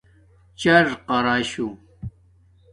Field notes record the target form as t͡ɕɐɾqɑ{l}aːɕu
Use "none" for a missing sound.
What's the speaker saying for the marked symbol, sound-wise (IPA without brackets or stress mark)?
ɾ